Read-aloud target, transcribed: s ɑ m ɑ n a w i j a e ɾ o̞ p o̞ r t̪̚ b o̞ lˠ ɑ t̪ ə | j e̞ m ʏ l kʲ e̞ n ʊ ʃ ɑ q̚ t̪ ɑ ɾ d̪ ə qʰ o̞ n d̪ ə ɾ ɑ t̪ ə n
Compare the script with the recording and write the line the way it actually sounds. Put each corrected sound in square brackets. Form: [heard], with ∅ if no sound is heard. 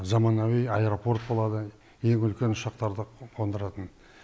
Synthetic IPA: [z] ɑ m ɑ n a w i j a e ɾ o̞ p o̞ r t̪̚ b o̞ lˠ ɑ [d̪] ə | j e̞ [ŋ] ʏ l kʲ e̞ n ʊ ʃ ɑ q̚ t̪ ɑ ɾ d̪ ə qʰ o̞ n d̪ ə ɾ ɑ t̪ ə n